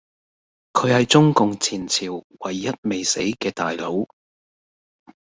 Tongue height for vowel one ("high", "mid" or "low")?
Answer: mid